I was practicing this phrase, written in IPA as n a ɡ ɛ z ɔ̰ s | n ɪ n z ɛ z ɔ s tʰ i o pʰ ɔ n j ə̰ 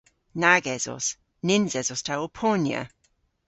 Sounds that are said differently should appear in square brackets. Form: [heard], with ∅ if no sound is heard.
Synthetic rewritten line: n a ɡ ɛ z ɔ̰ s | n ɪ n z ɛ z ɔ s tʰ [a] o pʰ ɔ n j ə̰